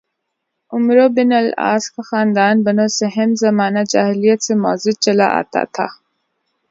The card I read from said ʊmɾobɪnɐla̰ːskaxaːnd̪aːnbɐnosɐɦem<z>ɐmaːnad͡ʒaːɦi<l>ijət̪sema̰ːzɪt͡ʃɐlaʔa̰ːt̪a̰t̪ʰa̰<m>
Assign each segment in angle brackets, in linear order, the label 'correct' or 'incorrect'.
correct, correct, incorrect

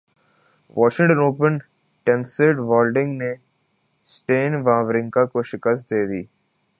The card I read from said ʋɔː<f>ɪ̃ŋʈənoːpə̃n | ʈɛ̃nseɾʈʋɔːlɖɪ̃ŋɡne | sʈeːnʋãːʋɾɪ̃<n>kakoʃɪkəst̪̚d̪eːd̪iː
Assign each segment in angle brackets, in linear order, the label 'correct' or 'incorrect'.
incorrect, incorrect

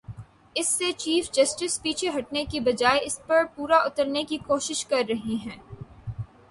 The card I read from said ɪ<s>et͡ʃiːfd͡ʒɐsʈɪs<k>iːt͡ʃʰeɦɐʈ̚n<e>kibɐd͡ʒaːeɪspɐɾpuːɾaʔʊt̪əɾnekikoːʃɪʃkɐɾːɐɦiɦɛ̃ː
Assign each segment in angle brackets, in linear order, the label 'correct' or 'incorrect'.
incorrect, incorrect, correct

